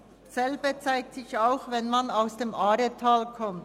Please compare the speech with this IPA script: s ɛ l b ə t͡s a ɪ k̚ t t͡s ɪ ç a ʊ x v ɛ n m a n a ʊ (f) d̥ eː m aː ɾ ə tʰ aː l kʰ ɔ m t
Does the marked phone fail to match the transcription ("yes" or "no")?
yes